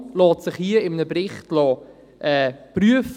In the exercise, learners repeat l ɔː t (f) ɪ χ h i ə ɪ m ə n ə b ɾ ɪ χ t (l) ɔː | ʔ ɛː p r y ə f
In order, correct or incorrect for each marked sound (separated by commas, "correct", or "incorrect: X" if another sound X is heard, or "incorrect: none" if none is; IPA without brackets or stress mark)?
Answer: incorrect: s, correct